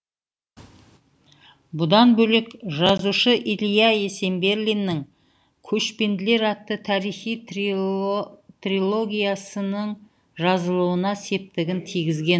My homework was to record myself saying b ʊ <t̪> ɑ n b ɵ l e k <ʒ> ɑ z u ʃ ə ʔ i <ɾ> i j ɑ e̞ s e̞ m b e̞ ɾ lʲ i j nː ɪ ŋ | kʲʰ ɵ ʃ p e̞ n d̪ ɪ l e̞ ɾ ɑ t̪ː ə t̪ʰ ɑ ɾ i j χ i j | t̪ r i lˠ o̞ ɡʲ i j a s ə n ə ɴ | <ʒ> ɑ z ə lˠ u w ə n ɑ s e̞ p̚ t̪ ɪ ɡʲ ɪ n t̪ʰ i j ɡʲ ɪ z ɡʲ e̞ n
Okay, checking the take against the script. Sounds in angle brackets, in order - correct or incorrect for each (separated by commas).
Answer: incorrect, correct, incorrect, correct